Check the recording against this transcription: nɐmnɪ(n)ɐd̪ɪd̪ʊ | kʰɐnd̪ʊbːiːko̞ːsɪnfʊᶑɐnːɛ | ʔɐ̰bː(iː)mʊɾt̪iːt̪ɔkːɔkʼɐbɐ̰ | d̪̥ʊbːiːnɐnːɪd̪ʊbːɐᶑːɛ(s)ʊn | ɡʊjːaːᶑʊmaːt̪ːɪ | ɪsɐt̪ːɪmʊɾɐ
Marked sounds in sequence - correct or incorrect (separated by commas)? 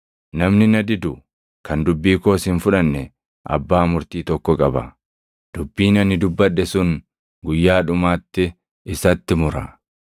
correct, incorrect, correct